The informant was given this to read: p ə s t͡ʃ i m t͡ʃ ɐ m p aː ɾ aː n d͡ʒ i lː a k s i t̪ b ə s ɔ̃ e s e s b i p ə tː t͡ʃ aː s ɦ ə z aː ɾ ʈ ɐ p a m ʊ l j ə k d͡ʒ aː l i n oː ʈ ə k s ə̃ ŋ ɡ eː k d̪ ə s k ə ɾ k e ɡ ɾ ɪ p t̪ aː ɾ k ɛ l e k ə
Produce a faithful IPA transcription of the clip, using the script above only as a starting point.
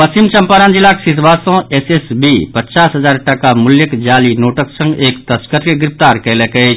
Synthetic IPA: p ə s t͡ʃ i m t͡ʃ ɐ m p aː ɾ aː n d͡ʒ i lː a k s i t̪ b a s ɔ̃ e s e s b i p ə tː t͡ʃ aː s ɦ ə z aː ɾ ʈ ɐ k a m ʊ l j ə k d͡ʒ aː l i n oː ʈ ə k s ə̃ ŋ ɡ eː k t̪ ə s k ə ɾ k e ɡ ɾ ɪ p t̪ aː ɾ k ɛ l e k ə